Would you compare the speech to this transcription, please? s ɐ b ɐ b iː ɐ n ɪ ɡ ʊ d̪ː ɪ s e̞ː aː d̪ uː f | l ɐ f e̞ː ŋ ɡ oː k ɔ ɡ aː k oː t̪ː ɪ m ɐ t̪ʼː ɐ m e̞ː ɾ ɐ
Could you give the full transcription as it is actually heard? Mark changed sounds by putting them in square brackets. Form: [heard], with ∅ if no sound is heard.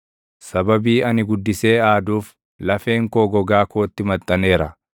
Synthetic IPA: s ɐ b ɐ b iː ɐ n ɪ ɡ ʊ d̪ː ɪ s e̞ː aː d̪ uː f | l ɐ f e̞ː ŋ [k] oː [ɡ] ɔ ɡ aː k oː t̪ː ɪ m ɐ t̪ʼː ɐ [n] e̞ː ɾ ɐ